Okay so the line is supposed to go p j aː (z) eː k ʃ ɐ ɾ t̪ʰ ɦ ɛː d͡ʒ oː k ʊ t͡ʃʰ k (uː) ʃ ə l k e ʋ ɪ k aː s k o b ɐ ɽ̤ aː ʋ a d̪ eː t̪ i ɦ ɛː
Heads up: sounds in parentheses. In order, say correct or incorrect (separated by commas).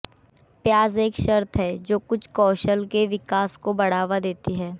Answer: correct, incorrect